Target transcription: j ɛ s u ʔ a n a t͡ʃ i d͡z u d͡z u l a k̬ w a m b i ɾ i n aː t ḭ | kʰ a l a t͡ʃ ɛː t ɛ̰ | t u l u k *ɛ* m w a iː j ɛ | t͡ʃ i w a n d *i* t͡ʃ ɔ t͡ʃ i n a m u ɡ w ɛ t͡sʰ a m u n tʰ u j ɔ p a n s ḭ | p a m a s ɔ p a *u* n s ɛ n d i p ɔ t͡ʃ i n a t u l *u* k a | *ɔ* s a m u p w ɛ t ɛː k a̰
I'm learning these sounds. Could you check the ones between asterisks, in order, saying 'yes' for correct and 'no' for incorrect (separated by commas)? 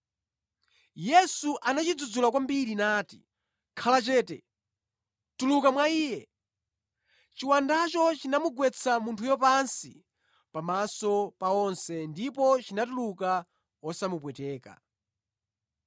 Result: no, no, no, yes, yes